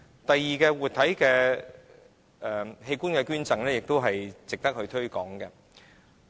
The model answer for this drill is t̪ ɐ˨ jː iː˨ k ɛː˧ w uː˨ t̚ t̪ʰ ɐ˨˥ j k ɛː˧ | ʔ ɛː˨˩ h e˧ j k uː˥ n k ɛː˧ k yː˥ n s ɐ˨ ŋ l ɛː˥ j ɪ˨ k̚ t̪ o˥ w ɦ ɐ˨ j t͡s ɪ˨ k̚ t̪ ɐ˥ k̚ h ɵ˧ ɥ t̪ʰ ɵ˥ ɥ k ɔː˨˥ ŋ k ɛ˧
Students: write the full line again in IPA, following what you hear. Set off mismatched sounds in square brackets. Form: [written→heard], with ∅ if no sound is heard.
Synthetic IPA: t̪ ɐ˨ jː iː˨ k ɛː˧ w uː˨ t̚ t̪ʰ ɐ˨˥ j k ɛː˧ | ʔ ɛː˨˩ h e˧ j k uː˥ n k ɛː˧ k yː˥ n [s→t͡s] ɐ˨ ŋ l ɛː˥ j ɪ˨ k̚ t̪ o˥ w ɦ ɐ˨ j t͡s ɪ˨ k̚ t̪ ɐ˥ k̚ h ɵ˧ ɥ t̪ʰ ɵ˥ ɥ k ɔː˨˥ ŋ k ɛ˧